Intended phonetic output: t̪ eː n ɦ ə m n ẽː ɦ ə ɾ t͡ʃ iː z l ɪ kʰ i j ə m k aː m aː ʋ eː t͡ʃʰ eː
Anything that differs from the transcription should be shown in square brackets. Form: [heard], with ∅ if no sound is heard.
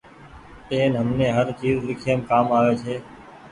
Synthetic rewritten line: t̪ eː n ɦ ə m n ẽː ɦ ə ɾ t͡ʃ iː z l ɪ kʰ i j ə m k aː m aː ʋ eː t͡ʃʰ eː